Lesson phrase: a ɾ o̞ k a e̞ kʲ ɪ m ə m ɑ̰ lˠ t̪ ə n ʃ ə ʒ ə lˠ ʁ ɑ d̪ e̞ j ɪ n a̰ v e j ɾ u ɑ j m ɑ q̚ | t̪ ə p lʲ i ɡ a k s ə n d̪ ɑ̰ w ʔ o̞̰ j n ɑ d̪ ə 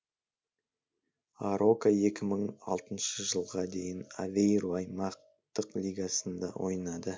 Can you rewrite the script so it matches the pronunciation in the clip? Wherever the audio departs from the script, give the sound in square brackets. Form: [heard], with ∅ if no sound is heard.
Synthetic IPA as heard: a ɾ o̞ k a e̞ kʲ ɪ m ə [ɴ] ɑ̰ lˠ t̪ ə n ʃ ə ʒ ə lˠ ʁ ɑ d̪ e̞ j ɪ n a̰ v e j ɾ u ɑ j m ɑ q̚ | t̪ ə [q] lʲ i ɡ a [∅] s ə n d̪ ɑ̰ w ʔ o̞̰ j n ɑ d̪ ə

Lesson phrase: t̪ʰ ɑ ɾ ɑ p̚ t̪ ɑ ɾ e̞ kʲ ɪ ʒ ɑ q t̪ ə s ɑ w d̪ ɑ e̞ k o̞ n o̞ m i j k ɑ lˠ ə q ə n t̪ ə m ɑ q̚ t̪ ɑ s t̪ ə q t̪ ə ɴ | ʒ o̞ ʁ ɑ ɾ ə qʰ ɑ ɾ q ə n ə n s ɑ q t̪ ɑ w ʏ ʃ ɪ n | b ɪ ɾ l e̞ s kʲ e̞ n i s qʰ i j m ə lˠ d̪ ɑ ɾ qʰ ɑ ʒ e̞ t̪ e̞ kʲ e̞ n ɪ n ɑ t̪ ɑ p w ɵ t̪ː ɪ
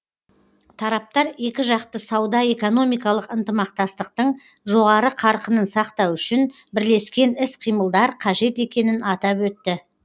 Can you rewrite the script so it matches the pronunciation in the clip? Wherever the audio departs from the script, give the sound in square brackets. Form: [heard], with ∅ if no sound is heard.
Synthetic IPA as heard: t̪ʰ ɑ ɾ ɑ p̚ t̪ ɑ ɾ e̞ kʲ ɪ ʒ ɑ q t̪ ə s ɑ w d̪ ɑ e̞ k o̞ n o̞ m i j k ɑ lˠ ə q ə n t̪ ə m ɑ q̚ t̪ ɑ s t̪ ə q t̪ ə ɴ | ʒ o̞ ʁ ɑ ɾ ə qʰ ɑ ɾ q ə n ə n s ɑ q t̪ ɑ w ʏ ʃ ɪ n | b ɪ ɾ l e̞ s kʲ e̞ n [ɪ] s qʰ i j m ə lˠ d̪ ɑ ɾ qʰ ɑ ʒ e̞ t̪ e̞ kʲ e̞ n ɪ n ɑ t̪ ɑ p w ɵ t̪ː ɪ

